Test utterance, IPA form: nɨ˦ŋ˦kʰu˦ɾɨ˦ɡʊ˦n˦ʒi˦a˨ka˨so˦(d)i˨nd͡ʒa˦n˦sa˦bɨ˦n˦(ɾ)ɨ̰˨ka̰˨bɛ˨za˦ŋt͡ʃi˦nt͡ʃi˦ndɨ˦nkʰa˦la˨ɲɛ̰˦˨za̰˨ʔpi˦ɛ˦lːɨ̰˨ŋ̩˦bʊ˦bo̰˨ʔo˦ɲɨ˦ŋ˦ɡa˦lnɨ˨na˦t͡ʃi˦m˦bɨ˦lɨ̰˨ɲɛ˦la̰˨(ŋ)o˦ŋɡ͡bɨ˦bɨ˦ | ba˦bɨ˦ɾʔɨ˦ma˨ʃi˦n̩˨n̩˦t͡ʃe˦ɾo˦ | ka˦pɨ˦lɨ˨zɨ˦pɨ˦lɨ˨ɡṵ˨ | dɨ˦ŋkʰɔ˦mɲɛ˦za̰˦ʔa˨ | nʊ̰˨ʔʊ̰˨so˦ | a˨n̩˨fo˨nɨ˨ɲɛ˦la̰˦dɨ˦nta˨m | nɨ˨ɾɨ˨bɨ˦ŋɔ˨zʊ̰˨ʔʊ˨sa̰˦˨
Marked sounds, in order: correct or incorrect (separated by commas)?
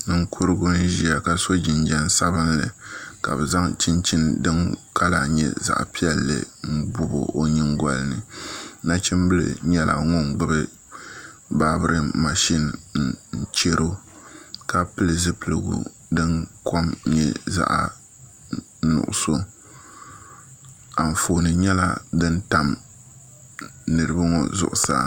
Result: incorrect, incorrect, correct